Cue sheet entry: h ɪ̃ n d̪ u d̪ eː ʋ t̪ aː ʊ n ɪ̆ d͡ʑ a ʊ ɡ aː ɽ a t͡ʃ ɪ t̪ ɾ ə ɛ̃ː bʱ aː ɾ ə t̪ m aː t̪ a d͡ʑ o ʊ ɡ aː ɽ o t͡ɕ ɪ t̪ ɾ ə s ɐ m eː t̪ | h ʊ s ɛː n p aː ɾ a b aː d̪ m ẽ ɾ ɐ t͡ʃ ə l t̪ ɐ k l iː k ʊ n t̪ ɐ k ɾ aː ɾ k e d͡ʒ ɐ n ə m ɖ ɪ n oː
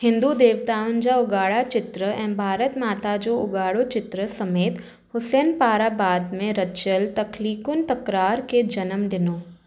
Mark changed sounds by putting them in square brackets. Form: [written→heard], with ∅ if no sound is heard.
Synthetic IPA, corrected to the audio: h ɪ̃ n d̪ u d̪ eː ʋ t̪ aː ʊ n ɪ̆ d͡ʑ a ʊ ɡ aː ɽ a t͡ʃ ɪ t̪ ɾ ə ɛ̃ː bʱ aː ɾ ə t̪ m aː t̪ a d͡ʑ o ʊ ɡ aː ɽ o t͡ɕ ɪ t̪ ɾ ə s ɐ m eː t̪ | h ʊ s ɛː n p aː ɾ a b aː d̪ m ẽ ɾ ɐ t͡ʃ ə l t̪ ɐ k l iː k ʊ n t̪ ɐ k ɾ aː ɾ k e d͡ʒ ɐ n ə m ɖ ɪ n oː